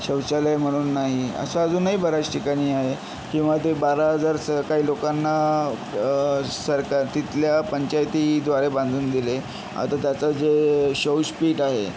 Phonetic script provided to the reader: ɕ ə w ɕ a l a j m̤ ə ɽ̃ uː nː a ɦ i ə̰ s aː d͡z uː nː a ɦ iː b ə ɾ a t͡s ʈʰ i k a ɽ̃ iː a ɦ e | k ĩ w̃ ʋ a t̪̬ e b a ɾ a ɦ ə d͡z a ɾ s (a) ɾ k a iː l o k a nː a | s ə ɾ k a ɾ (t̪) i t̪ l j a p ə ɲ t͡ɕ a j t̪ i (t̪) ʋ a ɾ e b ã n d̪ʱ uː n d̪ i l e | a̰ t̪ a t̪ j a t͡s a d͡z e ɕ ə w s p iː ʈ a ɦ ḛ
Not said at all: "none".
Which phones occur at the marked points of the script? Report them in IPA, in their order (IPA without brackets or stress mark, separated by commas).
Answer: ə, t̪, d̪